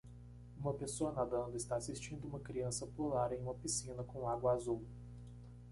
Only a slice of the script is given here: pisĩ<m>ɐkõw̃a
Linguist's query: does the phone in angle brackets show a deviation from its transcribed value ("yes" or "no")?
yes